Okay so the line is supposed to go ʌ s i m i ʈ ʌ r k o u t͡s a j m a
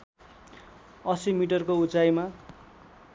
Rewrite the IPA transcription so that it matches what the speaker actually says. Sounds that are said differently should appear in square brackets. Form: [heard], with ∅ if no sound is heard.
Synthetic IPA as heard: ʌ s i m i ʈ ʌ r k o u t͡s a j m a